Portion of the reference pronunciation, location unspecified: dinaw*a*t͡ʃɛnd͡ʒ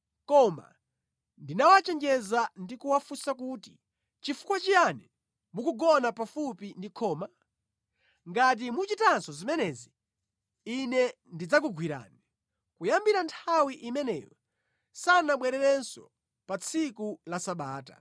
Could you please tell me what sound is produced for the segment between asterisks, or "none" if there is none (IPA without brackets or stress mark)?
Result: a